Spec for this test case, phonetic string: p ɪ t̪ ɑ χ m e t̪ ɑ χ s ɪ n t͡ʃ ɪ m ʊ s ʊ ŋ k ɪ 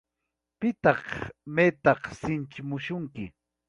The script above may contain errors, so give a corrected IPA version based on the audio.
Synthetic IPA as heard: p ɪ t̪ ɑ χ m e t̪ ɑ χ s ɪ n t͡ʃ ɪ m ʊ ʃ ʊ ŋ k ɪ